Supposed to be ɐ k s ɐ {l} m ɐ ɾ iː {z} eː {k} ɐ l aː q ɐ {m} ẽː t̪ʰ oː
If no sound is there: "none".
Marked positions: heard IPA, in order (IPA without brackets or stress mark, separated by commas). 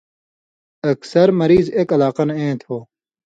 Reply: ɾ, z, k, n